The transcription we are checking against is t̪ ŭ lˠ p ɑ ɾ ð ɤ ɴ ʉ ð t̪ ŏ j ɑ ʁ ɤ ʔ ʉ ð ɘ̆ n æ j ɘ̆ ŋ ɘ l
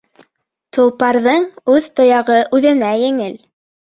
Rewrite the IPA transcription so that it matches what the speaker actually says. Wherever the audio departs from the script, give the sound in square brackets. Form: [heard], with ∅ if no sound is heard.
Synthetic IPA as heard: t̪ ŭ lˠ p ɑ ɾ ð ɤ ɴ ʉ ð t̪ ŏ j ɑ ʁ ɤ ʔ ʉ ð ɘ̆ n æ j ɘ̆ ŋ ɘ l